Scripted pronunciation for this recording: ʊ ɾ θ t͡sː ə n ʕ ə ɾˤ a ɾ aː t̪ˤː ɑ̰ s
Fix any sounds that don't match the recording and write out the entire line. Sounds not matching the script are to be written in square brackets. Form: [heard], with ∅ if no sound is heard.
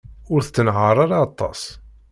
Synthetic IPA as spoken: ʊ ɾ θ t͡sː ə n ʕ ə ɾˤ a ɾ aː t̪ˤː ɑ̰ s